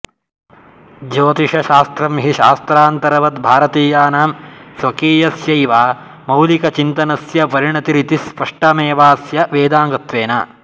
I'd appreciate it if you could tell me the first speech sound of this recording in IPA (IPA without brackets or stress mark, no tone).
d͡ʒ